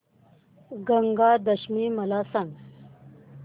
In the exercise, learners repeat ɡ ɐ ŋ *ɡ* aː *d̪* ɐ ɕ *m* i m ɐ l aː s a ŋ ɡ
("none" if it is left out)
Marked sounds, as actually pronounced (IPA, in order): ɡ, d̪, m

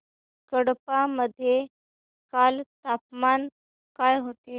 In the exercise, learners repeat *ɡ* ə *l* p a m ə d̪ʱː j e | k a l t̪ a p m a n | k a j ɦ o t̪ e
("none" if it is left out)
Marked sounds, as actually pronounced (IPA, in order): k, ɽ

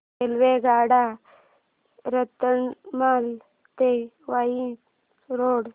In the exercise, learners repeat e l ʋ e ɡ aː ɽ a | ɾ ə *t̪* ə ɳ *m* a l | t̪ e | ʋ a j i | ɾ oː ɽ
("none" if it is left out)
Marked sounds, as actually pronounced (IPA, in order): t̪, m

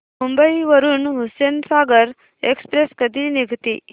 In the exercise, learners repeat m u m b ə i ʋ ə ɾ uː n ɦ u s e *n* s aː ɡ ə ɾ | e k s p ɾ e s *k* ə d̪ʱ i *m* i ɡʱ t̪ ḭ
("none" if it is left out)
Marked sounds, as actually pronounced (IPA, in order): n, k, n

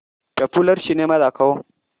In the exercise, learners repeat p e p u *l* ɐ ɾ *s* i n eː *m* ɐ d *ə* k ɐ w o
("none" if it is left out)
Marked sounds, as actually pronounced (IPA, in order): l, ʃ, m, a

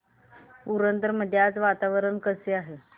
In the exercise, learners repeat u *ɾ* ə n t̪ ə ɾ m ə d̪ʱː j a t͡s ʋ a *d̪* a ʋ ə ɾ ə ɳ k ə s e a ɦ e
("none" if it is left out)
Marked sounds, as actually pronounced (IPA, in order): ɾ, t̪

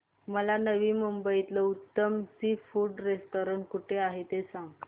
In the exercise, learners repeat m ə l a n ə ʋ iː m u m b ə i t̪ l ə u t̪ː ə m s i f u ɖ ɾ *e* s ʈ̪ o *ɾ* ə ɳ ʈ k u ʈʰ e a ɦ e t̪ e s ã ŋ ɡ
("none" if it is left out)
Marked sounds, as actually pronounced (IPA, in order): e, ɾ

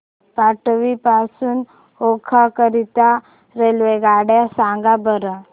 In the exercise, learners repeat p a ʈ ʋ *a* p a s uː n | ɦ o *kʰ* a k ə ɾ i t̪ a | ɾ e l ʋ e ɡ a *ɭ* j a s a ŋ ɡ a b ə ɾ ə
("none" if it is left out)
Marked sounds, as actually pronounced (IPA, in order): i, kʰ, ɽ

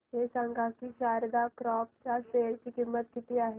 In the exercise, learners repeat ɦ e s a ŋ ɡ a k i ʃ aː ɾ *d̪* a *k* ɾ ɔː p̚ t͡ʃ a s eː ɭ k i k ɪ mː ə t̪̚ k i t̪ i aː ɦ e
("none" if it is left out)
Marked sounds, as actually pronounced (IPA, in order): d̪, k

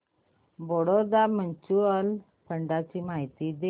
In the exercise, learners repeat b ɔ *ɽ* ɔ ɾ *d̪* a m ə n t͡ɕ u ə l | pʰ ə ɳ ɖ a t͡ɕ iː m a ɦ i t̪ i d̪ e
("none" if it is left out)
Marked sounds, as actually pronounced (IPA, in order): ɽ, d̪

